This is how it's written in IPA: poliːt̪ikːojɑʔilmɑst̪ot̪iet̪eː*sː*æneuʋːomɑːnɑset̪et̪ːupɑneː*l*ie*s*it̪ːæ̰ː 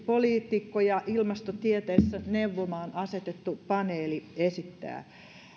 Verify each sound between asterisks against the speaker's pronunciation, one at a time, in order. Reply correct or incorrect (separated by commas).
correct, correct, correct